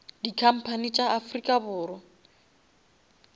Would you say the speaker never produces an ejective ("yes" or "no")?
no